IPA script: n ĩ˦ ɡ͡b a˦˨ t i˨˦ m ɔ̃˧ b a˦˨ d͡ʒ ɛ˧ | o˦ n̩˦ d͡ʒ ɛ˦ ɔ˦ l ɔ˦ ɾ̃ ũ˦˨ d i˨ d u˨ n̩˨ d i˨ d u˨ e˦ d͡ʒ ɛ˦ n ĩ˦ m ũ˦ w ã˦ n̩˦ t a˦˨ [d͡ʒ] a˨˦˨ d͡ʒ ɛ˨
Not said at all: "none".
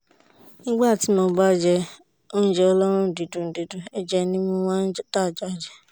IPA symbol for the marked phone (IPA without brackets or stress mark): d͡ʒ